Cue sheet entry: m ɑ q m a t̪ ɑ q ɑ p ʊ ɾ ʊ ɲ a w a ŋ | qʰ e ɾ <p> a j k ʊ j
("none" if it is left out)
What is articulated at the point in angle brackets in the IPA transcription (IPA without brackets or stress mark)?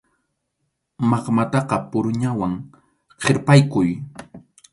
p